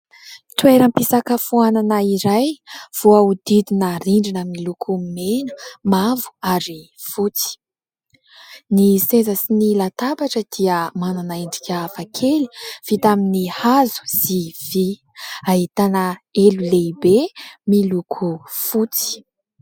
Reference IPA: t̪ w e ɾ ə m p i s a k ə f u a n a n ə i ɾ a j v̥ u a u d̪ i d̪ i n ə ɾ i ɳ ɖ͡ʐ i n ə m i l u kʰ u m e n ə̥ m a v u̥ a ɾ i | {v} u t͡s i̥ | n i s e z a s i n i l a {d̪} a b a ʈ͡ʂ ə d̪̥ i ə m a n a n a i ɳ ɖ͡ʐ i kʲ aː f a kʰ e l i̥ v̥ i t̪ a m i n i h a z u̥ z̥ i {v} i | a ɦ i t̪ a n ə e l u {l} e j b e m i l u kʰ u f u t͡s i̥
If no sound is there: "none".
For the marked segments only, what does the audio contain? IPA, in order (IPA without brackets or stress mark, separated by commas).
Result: f, t̪, v, l